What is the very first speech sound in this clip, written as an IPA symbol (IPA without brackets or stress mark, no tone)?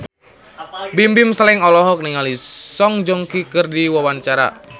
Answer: b